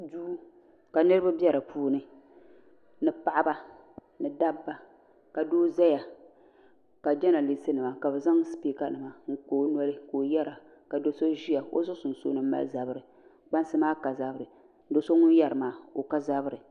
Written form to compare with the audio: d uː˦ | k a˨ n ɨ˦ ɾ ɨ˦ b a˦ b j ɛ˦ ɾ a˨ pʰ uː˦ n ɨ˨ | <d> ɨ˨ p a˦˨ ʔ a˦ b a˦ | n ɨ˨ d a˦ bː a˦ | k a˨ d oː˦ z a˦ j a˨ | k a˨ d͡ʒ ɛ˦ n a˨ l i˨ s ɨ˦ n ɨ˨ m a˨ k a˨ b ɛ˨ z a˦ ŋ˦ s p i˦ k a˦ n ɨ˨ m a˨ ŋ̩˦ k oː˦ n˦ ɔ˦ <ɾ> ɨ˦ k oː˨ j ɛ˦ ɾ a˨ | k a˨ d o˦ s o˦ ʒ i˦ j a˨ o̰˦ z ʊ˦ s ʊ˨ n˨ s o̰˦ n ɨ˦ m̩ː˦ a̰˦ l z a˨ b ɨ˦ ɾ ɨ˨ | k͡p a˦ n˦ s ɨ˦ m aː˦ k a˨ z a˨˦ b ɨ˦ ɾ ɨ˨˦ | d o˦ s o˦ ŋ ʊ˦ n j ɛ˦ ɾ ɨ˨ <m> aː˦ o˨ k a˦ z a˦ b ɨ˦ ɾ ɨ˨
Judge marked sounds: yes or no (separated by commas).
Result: no, no, yes